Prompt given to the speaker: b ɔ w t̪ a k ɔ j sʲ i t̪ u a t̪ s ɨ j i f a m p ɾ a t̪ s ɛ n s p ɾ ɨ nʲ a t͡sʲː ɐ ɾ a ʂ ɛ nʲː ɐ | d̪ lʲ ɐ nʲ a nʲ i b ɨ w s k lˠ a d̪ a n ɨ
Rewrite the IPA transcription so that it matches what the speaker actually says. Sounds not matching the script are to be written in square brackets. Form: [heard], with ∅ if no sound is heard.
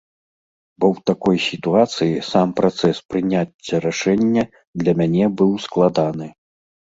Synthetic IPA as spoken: b ɔ w t̪ a k ɔ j sʲ i t̪ u a t̪ s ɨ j i [s] a m p ɾ a t̪ s ɛ [∅] s p ɾ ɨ nʲ a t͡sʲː ɐ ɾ a ʂ ɛ nʲː ɐ | d̪ lʲ ɐ [mʲ] a nʲ [ɛ] b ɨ w s k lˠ a d̪ a n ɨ